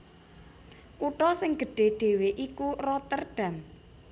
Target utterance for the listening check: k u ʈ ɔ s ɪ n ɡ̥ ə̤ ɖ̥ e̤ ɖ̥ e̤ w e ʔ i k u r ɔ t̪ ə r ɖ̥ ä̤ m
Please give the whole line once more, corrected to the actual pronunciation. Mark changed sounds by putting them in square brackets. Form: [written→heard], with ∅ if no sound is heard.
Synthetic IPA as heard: k u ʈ ɔ s ɪ [n→ŋ] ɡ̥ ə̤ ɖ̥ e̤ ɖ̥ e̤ w e ʔ i k u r ɔ t̪ ə r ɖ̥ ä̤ m

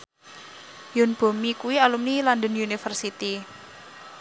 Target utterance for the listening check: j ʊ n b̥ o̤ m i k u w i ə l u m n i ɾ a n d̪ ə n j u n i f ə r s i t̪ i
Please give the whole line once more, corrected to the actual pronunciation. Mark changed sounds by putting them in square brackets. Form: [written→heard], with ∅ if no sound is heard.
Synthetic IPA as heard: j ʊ n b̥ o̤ m i k u w i [ə→a] l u m n i [ɾ→l] a n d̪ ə n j u n i f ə r s i t̪ i

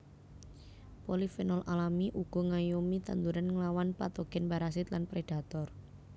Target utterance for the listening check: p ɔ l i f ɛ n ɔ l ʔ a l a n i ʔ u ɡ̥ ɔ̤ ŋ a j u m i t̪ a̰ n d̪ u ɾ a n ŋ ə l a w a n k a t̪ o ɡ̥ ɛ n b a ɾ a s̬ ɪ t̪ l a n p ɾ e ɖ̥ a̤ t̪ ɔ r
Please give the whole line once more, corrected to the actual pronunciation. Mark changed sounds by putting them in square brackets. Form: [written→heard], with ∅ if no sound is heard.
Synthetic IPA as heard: p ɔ l i f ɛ n ɔ l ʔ a l a [n→m] i ʔ u ɡ̥ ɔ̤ ŋ a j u m i t̪ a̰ n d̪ u ɾ a n ŋ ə l a w a n [k→p] a t̪ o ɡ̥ ɛ n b a ɾ a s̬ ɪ t̪ l a n p ɾ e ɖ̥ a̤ t̪ ɔ r

